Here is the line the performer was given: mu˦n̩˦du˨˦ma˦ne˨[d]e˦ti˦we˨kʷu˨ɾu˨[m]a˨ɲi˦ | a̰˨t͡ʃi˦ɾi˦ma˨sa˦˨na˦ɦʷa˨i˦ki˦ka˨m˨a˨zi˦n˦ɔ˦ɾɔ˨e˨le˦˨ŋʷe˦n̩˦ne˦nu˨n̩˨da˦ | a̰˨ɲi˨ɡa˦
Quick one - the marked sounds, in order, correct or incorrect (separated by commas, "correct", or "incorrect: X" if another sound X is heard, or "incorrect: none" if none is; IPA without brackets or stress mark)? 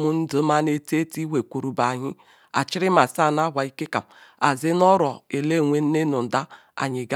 incorrect: t, incorrect: b